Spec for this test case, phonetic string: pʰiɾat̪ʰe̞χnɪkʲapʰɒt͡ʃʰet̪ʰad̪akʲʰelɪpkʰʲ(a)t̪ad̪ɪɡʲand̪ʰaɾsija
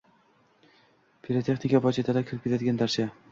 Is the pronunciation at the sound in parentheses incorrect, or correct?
incorrect